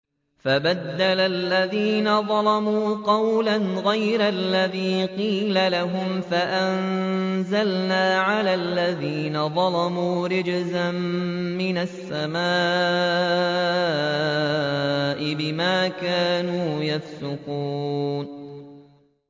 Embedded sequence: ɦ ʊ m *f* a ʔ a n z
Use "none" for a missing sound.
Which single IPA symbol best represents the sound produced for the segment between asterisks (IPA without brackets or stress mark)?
f